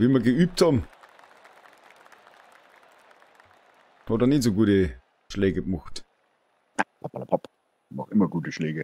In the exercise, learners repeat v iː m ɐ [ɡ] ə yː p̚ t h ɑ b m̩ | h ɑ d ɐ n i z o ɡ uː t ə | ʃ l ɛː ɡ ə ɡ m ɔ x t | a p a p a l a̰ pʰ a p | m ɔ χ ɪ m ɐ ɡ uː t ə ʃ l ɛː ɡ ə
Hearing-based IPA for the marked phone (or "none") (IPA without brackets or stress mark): ɡ